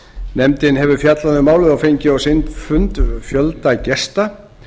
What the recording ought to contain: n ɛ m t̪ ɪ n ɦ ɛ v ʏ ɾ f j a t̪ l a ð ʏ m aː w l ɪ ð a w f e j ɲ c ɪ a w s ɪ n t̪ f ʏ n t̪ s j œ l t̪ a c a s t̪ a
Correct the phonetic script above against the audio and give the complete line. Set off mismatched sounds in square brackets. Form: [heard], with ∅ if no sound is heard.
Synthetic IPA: n ɛ m t̪ ɪ n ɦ ɛ v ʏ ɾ f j a t̪ l a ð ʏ m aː w l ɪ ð a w f e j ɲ c ɪ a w s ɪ n t̪ f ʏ n t̪ [f] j œ l t̪ a c [ɛ] s t̪ a